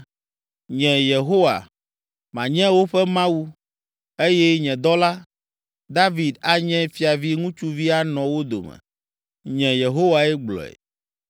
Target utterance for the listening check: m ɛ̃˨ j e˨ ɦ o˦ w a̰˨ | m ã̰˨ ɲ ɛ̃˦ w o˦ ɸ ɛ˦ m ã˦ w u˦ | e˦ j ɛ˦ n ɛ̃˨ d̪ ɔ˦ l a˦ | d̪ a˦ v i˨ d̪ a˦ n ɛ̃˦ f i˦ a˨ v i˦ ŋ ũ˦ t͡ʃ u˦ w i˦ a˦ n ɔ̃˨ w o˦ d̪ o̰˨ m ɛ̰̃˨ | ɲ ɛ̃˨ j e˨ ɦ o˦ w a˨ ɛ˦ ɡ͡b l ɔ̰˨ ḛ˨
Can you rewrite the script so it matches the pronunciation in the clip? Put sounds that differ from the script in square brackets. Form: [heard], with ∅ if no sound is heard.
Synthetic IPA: [ɲ] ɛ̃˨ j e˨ ɦ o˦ w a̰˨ | m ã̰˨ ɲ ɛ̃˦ w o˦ ɸ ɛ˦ m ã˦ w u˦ | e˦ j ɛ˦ [ɲ] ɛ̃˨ d̪ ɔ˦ l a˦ | d̪ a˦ v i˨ d̪ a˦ [ɲ] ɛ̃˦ f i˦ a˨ v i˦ ŋ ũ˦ t͡ʃ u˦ [v] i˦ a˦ n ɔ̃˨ w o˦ d̪ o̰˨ m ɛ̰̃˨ | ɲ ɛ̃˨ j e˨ ɦ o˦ w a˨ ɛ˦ ɡ͡b l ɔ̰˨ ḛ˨